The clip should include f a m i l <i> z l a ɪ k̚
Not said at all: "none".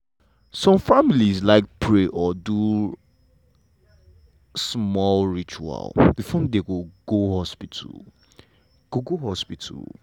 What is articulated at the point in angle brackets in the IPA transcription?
i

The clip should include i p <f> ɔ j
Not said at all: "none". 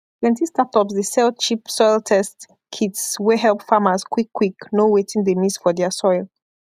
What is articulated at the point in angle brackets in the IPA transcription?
s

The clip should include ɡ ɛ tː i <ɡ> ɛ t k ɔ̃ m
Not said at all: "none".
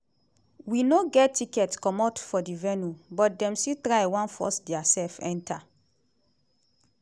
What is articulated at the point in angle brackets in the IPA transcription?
k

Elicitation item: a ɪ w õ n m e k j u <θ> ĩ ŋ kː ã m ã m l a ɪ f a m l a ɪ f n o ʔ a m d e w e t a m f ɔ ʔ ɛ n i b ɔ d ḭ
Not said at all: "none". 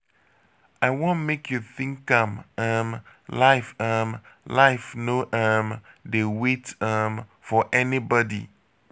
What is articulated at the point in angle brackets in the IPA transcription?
θ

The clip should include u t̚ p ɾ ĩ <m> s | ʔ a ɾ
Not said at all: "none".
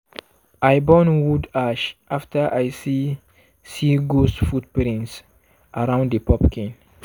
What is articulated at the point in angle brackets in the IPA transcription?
n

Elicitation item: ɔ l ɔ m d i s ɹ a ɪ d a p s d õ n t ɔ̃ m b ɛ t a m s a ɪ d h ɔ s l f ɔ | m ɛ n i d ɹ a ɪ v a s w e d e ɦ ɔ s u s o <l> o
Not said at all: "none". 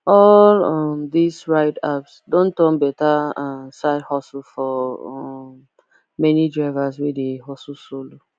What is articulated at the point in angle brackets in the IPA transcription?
l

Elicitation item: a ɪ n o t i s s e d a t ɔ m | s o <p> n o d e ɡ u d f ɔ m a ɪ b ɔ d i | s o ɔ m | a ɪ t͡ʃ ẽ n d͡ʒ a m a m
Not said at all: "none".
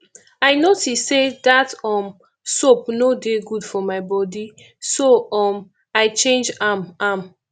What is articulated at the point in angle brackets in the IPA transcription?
p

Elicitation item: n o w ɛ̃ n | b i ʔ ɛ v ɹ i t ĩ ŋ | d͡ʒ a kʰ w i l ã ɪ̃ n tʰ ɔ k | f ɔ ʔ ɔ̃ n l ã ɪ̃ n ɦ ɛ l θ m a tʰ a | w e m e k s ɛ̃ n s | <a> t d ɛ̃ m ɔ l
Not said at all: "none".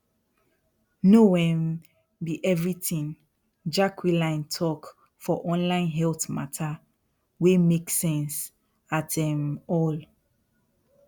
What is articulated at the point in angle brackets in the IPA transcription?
a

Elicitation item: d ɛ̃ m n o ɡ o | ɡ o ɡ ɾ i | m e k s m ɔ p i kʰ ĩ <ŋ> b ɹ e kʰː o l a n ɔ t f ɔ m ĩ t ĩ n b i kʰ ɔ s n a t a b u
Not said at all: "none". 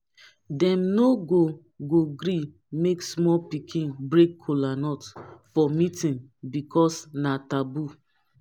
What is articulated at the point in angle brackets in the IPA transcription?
n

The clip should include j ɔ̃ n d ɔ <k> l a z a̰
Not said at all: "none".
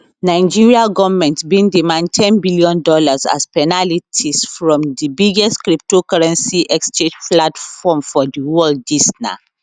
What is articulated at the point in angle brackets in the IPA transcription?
none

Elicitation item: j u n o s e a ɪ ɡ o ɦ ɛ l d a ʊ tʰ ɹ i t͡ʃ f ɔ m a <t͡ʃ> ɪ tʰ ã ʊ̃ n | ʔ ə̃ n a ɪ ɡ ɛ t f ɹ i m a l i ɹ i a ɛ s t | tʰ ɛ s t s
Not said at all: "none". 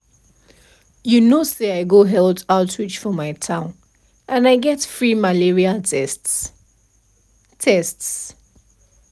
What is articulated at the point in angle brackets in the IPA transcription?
none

